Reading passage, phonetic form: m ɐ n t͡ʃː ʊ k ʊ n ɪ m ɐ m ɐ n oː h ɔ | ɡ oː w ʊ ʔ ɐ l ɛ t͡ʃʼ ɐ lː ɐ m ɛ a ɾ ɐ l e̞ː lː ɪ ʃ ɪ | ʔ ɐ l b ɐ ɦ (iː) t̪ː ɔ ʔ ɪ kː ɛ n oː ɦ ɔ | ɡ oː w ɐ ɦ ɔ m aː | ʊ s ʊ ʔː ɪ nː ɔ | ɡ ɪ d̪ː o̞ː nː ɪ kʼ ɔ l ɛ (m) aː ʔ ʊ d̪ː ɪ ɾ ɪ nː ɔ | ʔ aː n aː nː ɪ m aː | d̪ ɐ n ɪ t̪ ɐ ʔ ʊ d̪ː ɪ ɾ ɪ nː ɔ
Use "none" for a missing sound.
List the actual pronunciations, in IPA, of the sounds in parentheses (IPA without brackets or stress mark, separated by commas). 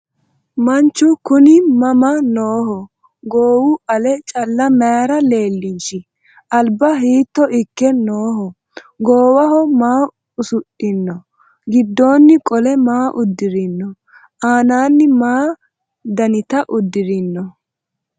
iː, m